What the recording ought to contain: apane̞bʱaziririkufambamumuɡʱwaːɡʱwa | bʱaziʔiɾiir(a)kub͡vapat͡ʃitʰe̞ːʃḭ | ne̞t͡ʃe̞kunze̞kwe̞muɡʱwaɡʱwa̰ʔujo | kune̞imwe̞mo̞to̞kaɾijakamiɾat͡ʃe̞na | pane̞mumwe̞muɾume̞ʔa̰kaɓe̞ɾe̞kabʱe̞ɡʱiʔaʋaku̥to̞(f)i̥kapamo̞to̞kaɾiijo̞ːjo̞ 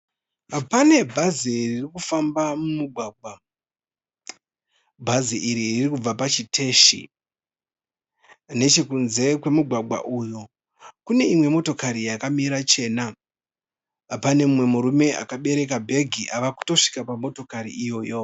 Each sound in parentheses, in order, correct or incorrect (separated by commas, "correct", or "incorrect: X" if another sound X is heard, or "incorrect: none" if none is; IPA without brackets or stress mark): incorrect: i, incorrect: ʂ